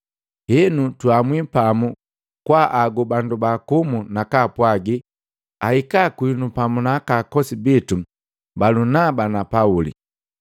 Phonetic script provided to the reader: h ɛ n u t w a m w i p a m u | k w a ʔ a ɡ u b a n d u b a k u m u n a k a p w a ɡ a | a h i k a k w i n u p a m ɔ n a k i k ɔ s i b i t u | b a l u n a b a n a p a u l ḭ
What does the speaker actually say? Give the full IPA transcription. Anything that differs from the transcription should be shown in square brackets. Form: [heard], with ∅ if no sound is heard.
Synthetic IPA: h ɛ n u t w a m w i p a m u | k w a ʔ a ɡ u b a n d u b a k u m u n a k a p w a ɡ [i] | a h i k a k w i n u p a m [u] n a k [a] k ɔ s i b i t u | b a l u n a b a n a p a u l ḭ